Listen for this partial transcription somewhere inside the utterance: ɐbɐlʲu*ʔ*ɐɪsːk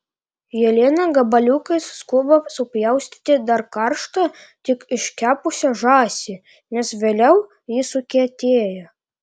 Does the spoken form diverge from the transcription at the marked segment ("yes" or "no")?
yes